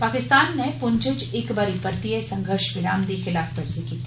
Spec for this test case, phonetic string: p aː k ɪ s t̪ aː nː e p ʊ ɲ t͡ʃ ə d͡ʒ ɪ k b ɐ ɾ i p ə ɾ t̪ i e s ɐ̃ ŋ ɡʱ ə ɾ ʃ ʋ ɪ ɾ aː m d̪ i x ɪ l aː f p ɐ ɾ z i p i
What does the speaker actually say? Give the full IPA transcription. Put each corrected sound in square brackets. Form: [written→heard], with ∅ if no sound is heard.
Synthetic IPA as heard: p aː k ɪ s t̪ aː nː e p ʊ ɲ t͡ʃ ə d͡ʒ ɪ k b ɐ ɾ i p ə ɾ t̪ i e s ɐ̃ ŋ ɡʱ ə ɾ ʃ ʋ ɪ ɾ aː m d̪ i x ɪ l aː f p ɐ ɾ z i [p→k] i